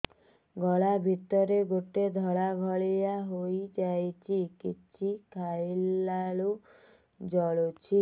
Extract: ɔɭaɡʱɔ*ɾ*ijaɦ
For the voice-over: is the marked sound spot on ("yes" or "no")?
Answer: no